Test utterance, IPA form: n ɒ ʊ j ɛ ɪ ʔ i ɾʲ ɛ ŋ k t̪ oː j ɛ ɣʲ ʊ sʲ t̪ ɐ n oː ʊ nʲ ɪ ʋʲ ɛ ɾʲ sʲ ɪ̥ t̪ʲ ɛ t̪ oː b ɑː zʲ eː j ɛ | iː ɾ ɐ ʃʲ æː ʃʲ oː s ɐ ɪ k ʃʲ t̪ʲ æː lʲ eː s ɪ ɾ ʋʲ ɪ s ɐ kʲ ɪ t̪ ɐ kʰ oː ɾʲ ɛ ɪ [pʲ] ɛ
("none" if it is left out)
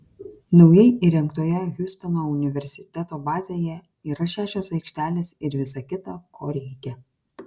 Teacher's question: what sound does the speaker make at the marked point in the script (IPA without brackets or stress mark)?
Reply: kʲ